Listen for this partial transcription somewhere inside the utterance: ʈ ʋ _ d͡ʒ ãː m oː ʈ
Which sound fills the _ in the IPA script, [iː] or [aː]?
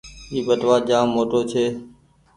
aː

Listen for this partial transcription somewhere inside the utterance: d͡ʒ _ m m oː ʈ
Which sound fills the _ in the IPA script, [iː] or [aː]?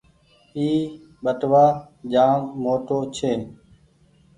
aː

